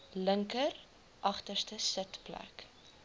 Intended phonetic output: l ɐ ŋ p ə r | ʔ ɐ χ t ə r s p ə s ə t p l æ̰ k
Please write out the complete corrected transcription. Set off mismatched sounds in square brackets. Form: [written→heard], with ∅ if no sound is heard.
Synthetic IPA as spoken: l [ɐ→ə] ŋ [p→k] ə r | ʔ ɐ χ t ə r s [p→t] ə s ə t p l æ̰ k